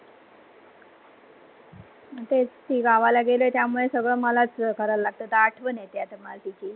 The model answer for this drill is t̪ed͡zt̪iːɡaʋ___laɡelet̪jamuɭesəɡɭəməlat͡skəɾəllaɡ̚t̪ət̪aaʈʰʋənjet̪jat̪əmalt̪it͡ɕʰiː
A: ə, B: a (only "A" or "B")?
B